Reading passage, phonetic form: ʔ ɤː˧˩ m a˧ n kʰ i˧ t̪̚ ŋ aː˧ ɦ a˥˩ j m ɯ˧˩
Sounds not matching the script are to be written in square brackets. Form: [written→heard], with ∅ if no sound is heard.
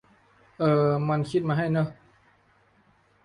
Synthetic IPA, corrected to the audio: ʔ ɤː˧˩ m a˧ n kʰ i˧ t̪̚ [ŋ→m] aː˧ ɦ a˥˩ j [m→n] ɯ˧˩

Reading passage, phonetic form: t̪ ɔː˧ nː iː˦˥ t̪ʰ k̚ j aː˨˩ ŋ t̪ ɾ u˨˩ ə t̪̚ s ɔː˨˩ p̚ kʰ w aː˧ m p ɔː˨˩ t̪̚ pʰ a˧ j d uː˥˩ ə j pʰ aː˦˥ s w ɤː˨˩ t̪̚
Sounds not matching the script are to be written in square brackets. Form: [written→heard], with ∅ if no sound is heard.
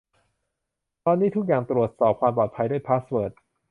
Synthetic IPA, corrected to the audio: t̪ ɔː˧ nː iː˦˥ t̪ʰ k̚ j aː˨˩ ŋ t̪ ɾ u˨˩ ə t̪̚ s ɔː˨˩ p̚ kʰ w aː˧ m p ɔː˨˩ t̪̚ pʰ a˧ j d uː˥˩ ə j pʰ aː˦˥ s w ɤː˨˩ t̪̚

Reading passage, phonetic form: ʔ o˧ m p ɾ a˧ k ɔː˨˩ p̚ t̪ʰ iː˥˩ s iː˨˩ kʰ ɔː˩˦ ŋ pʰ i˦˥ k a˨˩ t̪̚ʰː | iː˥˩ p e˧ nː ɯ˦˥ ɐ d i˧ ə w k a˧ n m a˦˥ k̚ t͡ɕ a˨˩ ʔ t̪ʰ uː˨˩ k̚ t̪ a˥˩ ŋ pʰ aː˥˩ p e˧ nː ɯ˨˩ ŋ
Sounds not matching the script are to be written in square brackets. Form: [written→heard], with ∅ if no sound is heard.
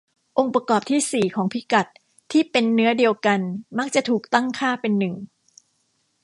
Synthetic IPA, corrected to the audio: ʔ o˧ [m→ŋ] p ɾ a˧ k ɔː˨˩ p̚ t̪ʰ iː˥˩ s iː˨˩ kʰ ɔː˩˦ ŋ pʰ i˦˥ k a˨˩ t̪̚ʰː | iː˥˩ p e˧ nː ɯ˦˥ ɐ d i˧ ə w k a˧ n m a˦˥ k̚ t͡ɕ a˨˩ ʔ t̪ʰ uː˨˩ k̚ t̪ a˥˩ ŋ [pʰ→kʰ] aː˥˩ p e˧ nː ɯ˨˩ ŋ

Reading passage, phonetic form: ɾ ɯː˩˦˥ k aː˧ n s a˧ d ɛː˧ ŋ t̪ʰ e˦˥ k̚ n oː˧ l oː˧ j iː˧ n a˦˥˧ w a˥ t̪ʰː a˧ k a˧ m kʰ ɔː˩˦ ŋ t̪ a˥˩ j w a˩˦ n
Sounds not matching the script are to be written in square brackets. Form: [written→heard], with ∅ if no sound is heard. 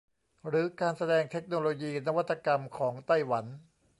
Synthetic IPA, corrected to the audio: ɾ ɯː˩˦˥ k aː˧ n s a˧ d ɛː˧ ŋ t̪ʰ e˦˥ k̚ n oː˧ l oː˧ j iː˧ n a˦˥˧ w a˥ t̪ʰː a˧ k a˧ m kʰ ɔː˩˦ ŋ t̪ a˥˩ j w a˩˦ n

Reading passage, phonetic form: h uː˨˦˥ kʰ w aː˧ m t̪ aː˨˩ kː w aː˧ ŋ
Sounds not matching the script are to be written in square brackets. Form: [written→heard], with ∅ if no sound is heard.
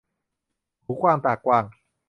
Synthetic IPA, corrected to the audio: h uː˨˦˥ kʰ w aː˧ m t̪ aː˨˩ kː w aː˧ ŋ

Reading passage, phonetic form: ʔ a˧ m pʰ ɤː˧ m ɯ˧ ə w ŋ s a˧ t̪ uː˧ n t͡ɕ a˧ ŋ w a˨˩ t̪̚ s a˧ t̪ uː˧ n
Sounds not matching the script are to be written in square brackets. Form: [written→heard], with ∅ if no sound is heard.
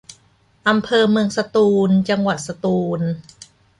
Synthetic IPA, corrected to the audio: ʔ a˧ m pʰ ɤː˧ m ɯ˧ ə [w→∅] ŋ s a˧ t̪ uː˧ n t͡ɕ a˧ ŋ w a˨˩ t̪̚ s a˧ t̪ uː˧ n

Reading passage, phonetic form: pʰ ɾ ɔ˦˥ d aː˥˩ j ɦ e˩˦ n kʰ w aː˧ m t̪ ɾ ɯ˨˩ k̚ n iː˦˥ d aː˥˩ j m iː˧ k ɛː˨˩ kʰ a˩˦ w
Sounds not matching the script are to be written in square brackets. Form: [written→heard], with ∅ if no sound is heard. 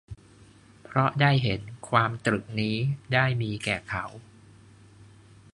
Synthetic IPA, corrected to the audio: pʰ ɾ ɔ˦˥ d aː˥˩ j ɦ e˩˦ n kʰ w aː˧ m t̪ ɾ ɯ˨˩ k̚ n iː˦˥ d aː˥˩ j m iː˧ k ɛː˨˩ kʰ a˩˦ w

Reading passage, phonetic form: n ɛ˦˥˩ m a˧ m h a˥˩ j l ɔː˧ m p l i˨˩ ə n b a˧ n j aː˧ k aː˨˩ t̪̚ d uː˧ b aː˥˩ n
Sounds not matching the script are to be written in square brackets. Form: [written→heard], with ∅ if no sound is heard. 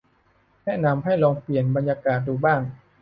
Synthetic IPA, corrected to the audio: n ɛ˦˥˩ [m→n] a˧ m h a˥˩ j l ɔː˧ [m→ŋ] p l i˨˩ ə n b a˧ n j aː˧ k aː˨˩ t̪̚ d uː˧ b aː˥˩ [n→ŋ]

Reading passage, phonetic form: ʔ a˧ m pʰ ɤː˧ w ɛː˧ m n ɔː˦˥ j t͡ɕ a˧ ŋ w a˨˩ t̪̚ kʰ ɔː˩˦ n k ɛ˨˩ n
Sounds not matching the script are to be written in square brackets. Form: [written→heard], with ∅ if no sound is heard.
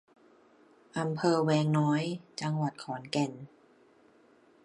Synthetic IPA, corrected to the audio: ʔ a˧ m pʰ ɤː˧ w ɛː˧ [m→ŋ] n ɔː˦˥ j t͡ɕ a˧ ŋ w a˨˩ t̪̚ kʰ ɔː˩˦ n k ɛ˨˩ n

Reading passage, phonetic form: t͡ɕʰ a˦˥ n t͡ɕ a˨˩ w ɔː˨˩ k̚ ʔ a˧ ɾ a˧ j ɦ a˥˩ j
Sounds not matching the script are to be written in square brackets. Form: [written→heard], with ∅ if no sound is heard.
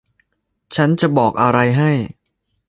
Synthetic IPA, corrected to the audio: t͡ɕʰ a˦˥ n t͡ɕ a˨˩ [w→b] ɔː˨˩ k̚ ʔ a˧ ɾ a˧ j ɦ a˥˩ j

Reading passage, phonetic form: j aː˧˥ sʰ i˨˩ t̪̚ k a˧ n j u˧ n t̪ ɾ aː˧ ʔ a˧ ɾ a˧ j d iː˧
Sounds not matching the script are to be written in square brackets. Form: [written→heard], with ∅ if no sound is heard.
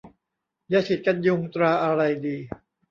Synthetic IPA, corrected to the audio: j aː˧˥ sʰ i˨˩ t̪̚ k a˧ n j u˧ [n→ŋ] t̪ ɾ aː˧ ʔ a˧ ɾ a˧ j d iː˧

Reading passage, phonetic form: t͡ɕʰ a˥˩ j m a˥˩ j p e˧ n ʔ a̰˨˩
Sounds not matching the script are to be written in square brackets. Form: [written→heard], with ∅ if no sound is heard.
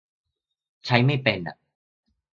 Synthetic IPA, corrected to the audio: t͡ɕʰ [a˥˩→a˦˥] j m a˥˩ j p e˧ n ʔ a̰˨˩

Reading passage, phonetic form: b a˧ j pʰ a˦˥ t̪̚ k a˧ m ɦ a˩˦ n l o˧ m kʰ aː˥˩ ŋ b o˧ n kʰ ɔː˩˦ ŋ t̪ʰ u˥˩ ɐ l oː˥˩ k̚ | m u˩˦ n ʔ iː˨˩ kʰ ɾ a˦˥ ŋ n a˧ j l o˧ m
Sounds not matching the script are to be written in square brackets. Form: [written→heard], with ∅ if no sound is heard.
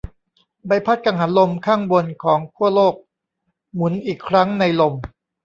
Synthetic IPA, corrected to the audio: b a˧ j pʰ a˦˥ t̪̚ k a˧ [m→ŋ] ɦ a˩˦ n l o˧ m kʰ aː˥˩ ŋ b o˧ n kʰ ɔː˩˦ ŋ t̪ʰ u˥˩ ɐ l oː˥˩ k̚ | m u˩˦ n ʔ iː˨˩ kʰ ɾ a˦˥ ŋ n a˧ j l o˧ m

